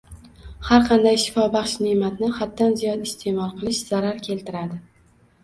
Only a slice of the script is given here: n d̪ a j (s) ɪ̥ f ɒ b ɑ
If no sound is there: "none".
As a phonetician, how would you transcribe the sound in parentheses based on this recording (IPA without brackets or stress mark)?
ʃ